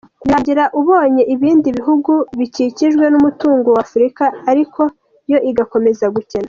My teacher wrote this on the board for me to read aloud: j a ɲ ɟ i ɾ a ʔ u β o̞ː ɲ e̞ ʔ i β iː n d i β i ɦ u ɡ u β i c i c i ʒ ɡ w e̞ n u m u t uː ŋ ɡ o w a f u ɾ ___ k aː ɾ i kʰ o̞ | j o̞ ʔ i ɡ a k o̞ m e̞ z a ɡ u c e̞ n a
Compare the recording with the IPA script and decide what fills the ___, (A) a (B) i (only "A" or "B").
B